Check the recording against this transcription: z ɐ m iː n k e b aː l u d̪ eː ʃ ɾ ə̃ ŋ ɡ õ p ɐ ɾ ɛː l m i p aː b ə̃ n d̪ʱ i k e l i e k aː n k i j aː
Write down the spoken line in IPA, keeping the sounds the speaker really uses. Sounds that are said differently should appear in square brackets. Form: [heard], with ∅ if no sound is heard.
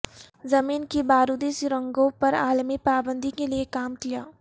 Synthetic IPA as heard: z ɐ m iː n k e b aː [ɾ] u d̪ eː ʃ ɾ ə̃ ŋ ɡ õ p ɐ ɾ [aː] l m i p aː b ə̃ n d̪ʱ i k e l i e k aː [m] k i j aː